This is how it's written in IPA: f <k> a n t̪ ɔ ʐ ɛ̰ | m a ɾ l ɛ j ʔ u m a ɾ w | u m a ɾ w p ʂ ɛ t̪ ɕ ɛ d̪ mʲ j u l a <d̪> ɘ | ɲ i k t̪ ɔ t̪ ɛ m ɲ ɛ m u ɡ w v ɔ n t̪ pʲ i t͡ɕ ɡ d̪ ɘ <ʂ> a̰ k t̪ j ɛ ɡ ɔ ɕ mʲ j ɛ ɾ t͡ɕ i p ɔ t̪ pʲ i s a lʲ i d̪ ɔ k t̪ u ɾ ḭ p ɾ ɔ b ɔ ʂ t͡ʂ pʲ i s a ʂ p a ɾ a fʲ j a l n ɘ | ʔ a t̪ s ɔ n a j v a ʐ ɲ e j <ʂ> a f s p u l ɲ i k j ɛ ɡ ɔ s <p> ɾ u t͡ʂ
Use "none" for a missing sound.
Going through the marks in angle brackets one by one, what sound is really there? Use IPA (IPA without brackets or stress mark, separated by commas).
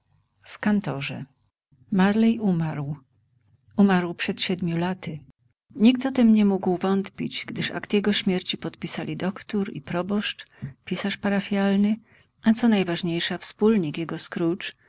k, t̪, ʂ, ʂ, k